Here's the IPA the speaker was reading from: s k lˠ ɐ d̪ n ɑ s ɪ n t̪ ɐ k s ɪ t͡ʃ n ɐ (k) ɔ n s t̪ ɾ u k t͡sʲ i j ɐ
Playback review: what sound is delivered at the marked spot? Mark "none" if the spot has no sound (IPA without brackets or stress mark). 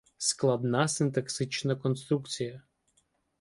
k